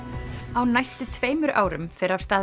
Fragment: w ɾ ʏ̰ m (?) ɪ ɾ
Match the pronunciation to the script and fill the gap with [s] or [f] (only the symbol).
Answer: f